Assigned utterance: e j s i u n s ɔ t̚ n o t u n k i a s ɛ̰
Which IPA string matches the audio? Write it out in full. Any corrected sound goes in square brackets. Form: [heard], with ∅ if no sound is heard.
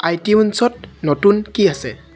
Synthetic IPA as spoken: [a] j [t] i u n s ɔ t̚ n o t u n k i a s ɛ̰